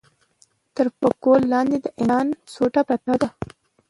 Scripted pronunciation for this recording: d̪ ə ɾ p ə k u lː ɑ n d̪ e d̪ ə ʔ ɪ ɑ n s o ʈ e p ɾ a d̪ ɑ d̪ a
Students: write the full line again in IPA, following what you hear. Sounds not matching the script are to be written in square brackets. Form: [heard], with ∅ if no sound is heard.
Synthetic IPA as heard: [t̪] ə ɾ p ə k [o] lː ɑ n d̪ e d̪ ə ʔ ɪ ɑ n s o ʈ [a] p ɾ a [t̪] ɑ d̪ a